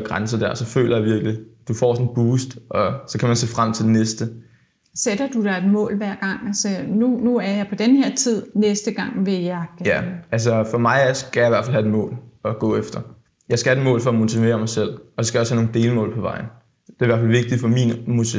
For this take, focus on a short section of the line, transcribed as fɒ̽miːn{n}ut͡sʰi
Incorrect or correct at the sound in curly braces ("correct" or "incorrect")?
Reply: incorrect